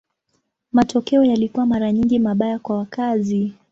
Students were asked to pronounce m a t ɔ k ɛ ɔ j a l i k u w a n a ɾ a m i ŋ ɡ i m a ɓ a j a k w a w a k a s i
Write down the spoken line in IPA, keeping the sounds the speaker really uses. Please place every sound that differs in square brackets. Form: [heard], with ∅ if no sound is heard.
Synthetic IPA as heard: m a t ɔ k ɛ ɔ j a l i k u w a [m] a ɾ a [ɲ] i ŋ ɡ i m a ɓ a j a k w a w a k a [z] i